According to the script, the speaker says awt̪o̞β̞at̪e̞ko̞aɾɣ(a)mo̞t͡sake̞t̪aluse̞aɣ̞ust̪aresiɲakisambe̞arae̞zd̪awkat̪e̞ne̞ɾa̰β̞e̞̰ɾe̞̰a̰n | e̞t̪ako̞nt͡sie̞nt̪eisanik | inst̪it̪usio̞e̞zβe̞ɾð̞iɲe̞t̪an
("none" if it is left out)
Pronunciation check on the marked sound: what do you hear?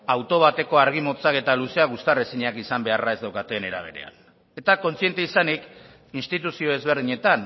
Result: i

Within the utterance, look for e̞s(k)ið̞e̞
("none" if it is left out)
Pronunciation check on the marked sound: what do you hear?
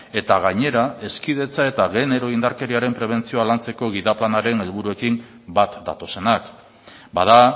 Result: k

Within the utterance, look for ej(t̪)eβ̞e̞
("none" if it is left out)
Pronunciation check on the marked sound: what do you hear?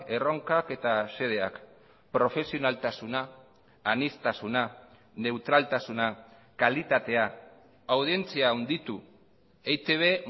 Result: t̪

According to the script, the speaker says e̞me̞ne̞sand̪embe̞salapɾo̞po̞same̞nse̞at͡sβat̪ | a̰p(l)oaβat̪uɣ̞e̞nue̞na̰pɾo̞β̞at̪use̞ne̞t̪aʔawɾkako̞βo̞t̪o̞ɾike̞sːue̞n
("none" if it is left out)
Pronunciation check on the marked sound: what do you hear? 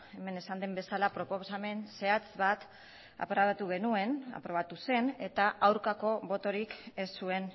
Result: ɾ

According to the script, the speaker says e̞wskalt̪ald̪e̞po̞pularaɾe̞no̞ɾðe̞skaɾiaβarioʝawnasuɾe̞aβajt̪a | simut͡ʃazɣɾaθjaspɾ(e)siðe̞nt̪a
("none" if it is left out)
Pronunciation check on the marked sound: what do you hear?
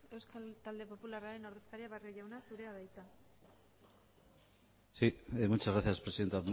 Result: e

